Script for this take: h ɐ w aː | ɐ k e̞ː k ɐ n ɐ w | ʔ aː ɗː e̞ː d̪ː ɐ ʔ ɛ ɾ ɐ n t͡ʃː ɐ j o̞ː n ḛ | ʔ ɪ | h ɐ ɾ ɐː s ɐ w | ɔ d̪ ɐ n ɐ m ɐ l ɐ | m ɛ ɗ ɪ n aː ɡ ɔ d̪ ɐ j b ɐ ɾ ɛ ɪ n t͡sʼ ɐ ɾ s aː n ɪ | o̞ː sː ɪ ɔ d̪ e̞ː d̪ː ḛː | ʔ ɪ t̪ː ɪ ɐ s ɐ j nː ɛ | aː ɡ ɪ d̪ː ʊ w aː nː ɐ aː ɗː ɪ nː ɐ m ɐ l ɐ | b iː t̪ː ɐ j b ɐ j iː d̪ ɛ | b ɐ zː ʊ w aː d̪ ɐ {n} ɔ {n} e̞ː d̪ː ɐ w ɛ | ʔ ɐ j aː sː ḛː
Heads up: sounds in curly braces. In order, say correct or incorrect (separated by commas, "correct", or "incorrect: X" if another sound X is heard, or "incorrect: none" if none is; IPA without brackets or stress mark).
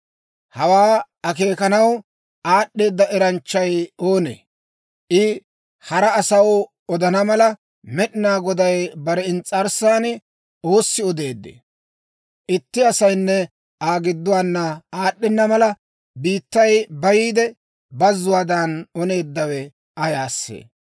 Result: correct, correct